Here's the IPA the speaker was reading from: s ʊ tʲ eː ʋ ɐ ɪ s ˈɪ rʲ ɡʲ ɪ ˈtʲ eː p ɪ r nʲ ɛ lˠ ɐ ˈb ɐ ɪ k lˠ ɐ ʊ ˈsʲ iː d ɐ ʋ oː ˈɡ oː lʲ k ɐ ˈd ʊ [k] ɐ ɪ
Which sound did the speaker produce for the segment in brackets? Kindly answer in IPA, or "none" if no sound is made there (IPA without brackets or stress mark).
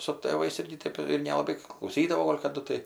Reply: t